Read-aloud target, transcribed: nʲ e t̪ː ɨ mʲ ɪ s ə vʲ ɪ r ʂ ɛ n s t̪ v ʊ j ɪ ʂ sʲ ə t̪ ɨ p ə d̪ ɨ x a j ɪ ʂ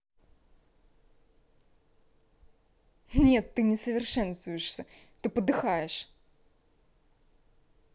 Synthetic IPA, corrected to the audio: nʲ e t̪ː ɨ nʲ ɪ s ə vʲ ɪ r ʂ ɛ n s t̪ v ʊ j ɪ ʂ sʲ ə t̪ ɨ p ə d̪ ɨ x a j ɪ ʂ